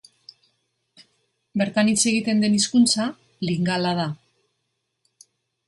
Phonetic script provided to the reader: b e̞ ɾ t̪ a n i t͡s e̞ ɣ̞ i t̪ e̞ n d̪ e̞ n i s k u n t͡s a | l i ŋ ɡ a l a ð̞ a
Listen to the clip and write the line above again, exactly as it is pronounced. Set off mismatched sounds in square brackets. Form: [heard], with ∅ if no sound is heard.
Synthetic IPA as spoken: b e̞ ɾ t̪ a n i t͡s e̞ ɣ̞ i t̪ e̞ n d̪ e̞ n i s k u n t͡s a | l i ŋ ɡ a l a ð̞ a